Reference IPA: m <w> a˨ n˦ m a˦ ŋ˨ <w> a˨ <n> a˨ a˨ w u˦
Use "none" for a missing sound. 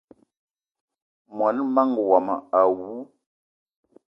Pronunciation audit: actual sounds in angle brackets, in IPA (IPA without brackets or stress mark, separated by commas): w, w, m